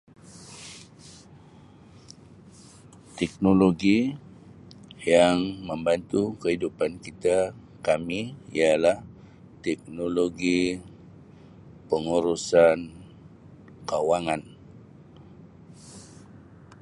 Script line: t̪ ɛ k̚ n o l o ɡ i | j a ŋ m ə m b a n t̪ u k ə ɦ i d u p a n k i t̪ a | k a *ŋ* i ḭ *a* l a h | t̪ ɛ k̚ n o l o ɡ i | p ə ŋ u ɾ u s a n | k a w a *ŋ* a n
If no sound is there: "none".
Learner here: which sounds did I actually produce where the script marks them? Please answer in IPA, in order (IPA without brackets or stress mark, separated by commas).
m, a, ŋ